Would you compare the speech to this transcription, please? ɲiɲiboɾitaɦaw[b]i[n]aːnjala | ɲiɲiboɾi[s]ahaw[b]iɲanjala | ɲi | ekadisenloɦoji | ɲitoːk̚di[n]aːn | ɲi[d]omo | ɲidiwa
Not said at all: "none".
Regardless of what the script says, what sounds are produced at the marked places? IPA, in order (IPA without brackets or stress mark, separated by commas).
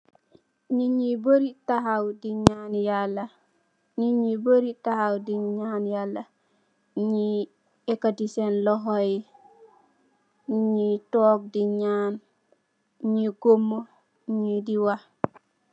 d, ɲ, t, d, ɲ, ɡ